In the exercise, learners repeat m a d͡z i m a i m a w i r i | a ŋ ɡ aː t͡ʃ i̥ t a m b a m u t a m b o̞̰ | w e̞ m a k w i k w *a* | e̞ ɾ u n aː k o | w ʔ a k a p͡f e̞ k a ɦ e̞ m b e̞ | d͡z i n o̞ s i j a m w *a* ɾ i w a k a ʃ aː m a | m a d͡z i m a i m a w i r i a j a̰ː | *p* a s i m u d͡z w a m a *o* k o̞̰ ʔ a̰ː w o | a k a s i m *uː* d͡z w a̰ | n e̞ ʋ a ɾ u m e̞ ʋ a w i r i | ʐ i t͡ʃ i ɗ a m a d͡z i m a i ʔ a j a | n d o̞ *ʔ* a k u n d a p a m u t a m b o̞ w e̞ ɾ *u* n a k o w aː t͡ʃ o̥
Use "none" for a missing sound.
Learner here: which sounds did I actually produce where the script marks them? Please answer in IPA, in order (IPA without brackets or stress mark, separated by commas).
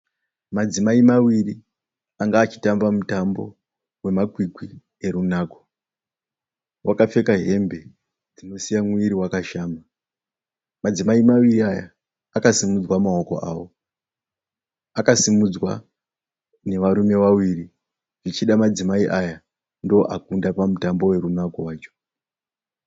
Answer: i, i, k, o, u, ʔ, u